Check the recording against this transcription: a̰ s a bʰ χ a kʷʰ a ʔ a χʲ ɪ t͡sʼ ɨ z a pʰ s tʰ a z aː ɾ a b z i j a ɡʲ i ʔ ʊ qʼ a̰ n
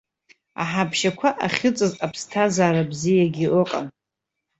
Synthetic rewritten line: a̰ ħ a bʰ ʃ a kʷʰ a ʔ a χʲ ɪ t͡sʼ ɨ z a pʰ s tʰ a z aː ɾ a b z i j a ɡʲ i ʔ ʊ qʼ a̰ n